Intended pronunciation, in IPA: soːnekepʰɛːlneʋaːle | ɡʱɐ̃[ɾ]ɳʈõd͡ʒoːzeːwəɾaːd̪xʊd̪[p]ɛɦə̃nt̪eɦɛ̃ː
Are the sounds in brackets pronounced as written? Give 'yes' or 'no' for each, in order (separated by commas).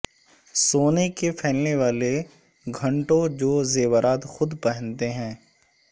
no, yes